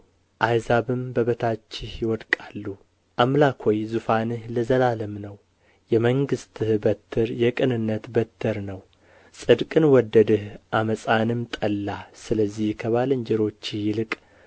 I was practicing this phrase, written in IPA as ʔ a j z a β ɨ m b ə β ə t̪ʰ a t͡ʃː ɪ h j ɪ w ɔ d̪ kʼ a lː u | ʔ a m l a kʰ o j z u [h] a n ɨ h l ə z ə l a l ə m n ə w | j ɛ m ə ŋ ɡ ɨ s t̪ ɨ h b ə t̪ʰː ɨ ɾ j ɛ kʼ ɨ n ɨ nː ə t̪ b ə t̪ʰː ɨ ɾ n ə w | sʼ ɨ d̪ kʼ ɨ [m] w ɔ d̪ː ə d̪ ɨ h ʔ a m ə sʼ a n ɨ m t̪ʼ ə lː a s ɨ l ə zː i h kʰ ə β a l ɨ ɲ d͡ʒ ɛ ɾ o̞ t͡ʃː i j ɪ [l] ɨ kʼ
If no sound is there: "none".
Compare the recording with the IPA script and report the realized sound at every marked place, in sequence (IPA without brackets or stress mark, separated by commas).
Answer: f, n, l